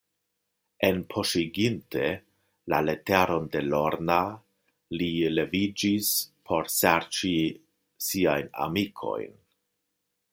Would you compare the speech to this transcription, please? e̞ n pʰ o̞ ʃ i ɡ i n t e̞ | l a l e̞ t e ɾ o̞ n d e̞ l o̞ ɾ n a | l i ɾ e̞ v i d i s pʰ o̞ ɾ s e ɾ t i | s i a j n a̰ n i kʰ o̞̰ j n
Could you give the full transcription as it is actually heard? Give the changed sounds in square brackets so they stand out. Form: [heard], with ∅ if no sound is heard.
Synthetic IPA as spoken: e̞ n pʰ o̞ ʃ i ɡ i n t e̞ | l a l e̞ t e ɾ o̞ n d e̞ l o̞ ɾ n a | l i [l] e̞ v i [d͡ʒ] i s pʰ o̞ ɾ s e ɾ [t͡ʃ] i | s i a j n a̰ [m] i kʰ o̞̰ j n